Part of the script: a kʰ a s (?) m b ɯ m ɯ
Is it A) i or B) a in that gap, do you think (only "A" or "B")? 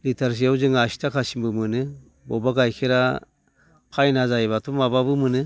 A